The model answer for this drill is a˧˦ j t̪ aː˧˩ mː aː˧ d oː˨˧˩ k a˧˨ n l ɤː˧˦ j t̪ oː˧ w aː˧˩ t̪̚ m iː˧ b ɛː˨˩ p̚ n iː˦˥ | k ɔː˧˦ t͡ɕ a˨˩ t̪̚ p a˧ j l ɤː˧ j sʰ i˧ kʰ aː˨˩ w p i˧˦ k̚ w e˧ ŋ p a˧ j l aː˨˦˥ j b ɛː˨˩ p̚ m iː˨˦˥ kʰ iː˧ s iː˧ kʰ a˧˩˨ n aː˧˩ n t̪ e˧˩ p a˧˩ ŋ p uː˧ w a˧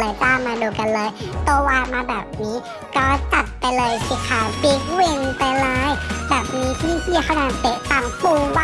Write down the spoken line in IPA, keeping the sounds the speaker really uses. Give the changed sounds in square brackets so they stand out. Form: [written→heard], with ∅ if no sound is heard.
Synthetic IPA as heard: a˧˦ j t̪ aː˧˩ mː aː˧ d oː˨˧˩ k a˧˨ n l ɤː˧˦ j t̪ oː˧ w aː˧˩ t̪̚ m [iː˧→aː˧] b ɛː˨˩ p̚ n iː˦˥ | k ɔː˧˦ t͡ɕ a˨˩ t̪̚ p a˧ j l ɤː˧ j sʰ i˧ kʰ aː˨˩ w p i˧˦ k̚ w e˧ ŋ p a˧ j l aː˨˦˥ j b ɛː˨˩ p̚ [m→n] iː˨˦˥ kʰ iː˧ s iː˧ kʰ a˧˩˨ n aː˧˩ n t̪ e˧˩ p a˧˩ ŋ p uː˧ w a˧